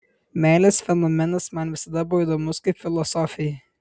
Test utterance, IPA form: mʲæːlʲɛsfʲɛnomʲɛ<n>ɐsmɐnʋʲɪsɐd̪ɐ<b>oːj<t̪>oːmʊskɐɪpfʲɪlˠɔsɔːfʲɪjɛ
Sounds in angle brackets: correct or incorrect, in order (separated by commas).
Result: correct, correct, incorrect